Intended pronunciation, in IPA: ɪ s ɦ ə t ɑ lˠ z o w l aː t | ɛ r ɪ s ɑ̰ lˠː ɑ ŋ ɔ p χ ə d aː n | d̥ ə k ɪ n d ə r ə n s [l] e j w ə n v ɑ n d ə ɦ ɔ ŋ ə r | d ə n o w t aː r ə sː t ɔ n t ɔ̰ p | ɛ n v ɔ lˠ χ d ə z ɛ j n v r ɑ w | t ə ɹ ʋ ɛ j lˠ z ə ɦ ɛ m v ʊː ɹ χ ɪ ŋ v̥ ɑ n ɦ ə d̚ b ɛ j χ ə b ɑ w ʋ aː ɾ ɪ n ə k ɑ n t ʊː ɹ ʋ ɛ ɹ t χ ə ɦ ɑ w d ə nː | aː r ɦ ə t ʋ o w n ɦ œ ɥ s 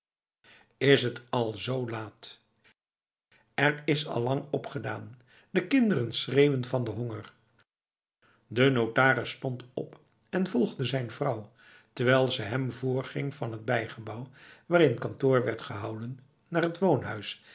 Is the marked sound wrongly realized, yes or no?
yes